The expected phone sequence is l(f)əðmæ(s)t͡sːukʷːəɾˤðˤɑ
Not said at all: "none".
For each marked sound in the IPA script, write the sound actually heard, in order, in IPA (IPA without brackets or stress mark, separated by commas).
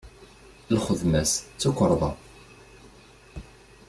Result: χ, s